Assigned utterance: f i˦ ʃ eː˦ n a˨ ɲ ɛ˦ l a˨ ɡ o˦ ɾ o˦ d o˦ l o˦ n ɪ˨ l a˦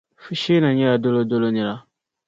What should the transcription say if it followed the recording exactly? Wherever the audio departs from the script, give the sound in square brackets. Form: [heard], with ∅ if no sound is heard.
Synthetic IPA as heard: f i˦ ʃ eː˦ n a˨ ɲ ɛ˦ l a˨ [d] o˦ [l] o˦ d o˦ l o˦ n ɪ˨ l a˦